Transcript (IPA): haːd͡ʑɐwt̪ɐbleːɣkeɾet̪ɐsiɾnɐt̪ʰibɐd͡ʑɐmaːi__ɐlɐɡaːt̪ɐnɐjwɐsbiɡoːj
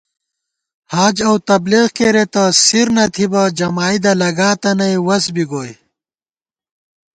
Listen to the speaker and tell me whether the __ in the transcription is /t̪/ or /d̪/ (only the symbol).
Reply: d̪